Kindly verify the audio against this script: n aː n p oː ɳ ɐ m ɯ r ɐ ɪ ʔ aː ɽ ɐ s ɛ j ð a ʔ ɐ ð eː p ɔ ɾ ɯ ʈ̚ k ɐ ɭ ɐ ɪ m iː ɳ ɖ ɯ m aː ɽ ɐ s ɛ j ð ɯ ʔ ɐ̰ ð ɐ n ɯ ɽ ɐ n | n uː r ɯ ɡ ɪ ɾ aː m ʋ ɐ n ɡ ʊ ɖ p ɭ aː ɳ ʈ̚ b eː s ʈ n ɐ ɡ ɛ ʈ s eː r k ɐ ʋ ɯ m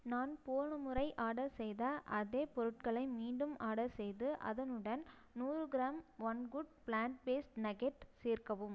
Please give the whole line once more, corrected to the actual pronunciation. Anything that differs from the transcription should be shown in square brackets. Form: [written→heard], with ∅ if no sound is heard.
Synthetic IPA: n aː n p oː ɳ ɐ m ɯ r ɐ ɪ ʔ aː ɽ ɐ s ɛ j ð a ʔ ɐ ð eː p ɔ ɾ ɯ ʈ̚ k ɐ ɭ ɐ ɪ m iː ɳ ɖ ɯ m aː ɽ ɐ s ɛ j ð ɯ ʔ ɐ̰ ð ɐ n ɯ ɽ ɐ n | n uː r ɯ ɡ ɪ ɾ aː m ʋ ɐ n ɡ ʊ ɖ p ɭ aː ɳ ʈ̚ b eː s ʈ n ɐ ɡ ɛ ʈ s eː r k ɐ ʋ ɯ m